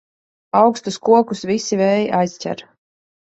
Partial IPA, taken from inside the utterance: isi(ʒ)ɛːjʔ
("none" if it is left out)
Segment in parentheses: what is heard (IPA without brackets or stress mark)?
v